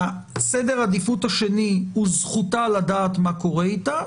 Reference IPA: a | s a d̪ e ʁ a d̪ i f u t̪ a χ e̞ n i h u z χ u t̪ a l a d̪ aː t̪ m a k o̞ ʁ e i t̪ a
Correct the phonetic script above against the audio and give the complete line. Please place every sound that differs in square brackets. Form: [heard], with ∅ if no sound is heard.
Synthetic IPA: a | s [e] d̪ e ʁ a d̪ i f u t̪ a [ʃ] e̞ n i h u z χ u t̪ a l a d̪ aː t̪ m a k o̞ ʁ e i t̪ a